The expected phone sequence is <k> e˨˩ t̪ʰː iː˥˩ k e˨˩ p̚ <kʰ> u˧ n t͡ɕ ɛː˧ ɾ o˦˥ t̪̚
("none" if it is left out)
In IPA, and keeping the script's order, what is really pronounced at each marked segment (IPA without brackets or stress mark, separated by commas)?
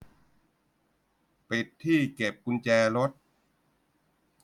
p, k